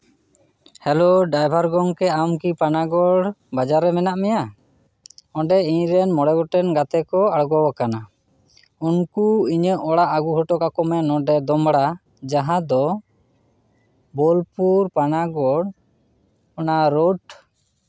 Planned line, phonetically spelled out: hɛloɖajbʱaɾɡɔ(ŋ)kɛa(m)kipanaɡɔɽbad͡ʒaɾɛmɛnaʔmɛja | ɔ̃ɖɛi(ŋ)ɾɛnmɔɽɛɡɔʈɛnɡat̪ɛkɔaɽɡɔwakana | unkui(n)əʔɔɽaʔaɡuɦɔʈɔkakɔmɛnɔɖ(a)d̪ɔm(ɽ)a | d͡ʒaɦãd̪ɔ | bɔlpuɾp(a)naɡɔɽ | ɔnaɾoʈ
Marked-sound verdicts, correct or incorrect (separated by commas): correct, correct, incorrect, incorrect, incorrect, correct, correct